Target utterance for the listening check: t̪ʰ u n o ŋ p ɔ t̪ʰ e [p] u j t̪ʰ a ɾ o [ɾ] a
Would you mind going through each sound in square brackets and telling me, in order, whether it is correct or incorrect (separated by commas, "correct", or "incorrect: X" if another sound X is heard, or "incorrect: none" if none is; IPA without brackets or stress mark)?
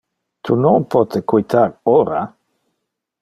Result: incorrect: k, correct